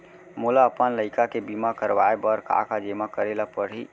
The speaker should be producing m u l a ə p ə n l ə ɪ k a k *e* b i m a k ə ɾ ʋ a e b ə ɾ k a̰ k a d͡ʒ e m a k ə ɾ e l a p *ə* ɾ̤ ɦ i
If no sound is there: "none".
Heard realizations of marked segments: e, ə

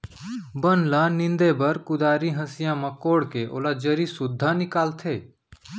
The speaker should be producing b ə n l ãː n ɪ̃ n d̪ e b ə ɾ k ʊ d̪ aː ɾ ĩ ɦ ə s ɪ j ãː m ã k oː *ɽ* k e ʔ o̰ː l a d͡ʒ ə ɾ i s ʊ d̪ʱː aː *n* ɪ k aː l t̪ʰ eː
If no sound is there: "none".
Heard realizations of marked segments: ɽ, n

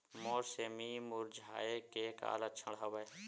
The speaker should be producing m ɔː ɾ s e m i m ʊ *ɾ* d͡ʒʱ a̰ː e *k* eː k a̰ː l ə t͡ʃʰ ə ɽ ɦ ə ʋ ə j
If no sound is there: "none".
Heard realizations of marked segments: ɾ, k

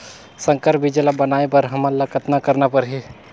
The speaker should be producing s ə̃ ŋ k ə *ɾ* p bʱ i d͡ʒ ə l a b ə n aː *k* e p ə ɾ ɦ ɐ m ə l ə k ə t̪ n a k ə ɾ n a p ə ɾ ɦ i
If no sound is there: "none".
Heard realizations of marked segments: ɾ, none

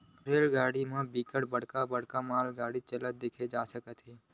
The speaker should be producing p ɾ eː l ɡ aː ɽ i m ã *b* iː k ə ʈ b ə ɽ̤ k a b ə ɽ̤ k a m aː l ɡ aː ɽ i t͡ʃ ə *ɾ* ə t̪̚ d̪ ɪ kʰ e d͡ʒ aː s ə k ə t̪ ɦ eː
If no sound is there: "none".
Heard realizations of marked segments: b, l

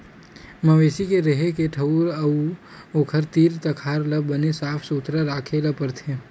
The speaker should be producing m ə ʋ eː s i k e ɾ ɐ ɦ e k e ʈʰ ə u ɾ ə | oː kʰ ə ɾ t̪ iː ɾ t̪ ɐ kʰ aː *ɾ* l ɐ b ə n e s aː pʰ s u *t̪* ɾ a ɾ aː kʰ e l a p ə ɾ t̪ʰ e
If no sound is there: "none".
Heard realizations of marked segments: ɾ, t̪

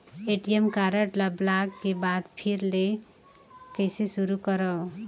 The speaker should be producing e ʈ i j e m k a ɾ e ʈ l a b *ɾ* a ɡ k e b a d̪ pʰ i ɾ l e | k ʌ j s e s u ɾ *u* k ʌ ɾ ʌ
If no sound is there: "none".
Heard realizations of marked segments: l, u

